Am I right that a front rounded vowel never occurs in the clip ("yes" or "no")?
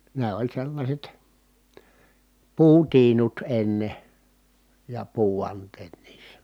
yes